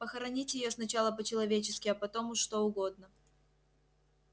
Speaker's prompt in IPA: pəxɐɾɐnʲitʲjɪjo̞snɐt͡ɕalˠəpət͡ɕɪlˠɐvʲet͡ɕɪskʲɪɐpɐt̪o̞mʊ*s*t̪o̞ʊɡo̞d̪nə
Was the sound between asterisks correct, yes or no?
no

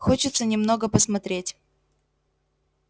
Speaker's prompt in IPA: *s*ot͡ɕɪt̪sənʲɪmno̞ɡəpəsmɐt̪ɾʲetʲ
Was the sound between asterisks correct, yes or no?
no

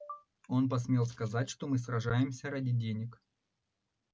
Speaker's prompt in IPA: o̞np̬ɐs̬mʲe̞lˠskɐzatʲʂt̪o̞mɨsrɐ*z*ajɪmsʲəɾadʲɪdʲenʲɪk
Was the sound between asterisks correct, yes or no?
no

